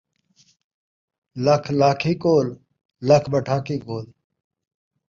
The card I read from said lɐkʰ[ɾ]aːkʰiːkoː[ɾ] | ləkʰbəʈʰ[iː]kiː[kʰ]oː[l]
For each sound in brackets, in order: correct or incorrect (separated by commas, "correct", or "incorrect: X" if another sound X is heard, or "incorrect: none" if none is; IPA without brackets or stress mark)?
incorrect: l, incorrect: l, incorrect: aː, incorrect: k, correct